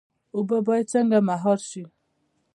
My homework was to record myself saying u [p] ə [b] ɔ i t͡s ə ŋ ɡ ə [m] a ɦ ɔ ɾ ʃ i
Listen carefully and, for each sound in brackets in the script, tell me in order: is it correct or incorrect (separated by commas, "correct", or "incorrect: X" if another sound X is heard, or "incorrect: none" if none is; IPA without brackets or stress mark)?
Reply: incorrect: b, correct, correct